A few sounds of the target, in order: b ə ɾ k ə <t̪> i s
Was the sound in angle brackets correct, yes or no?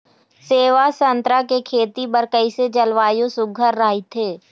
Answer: no